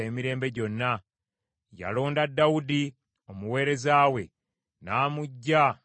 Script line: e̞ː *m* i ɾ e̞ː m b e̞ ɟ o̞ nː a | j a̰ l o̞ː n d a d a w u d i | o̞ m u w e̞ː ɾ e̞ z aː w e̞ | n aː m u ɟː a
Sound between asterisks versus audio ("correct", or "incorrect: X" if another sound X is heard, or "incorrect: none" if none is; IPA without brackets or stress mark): correct